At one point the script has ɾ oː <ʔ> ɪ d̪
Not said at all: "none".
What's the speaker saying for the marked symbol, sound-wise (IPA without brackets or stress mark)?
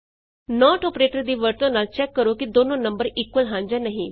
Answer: k